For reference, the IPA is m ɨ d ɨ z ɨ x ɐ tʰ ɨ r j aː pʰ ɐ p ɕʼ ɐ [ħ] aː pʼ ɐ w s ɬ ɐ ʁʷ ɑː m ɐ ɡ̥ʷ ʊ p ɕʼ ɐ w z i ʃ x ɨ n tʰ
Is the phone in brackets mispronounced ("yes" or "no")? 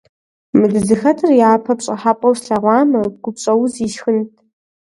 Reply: no